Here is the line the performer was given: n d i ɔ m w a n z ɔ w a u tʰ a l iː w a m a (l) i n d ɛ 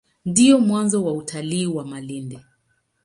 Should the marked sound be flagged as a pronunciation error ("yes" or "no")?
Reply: no